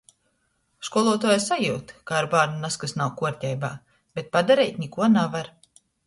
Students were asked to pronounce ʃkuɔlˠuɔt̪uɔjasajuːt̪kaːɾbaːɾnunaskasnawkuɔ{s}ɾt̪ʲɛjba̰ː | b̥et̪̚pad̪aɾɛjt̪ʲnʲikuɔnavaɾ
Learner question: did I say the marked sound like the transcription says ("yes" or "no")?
no